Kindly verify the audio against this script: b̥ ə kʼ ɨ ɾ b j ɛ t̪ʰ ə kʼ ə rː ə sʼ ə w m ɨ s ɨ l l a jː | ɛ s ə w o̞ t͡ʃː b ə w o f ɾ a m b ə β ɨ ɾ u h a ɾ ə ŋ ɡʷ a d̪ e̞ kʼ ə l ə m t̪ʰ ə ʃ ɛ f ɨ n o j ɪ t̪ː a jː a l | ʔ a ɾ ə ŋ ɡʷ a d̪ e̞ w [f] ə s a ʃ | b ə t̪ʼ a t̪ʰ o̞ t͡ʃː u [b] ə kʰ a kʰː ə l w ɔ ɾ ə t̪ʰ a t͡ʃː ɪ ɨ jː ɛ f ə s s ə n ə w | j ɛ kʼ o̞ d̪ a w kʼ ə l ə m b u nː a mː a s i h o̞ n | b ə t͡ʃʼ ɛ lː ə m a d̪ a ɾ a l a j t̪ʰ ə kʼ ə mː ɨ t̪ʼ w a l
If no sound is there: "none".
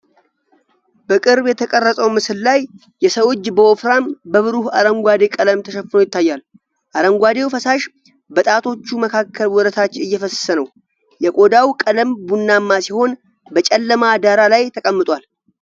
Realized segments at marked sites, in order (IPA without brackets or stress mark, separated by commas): f, m